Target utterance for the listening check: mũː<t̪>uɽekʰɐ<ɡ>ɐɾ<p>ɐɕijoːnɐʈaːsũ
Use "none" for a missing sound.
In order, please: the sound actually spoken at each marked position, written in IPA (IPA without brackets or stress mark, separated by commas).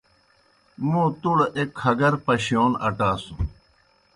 t̪, ɡ, p